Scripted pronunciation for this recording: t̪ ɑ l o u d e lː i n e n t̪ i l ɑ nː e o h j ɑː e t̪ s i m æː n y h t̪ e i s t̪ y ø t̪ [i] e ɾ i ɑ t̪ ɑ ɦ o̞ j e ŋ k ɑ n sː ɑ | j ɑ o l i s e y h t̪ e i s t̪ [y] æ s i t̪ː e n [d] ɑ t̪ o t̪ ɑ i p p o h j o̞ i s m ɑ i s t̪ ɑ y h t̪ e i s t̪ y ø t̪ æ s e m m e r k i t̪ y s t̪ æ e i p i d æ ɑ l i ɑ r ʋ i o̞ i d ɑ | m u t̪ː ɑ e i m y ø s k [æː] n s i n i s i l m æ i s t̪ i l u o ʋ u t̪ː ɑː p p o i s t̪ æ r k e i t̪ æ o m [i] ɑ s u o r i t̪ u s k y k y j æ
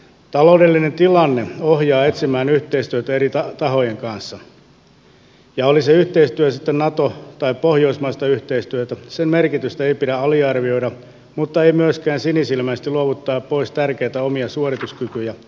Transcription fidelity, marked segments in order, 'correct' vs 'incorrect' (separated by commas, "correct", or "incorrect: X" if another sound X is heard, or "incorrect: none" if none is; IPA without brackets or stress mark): incorrect: æ, correct, incorrect: n, correct, correct